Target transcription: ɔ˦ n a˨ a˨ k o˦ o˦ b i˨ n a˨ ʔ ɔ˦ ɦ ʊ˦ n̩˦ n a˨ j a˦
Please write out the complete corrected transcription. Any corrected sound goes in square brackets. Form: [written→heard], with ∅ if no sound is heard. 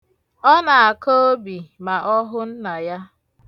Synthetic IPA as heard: ɔ˦ n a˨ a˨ k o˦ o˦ b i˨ [n→m] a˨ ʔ ɔ˦ ɦ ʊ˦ n̩˦ n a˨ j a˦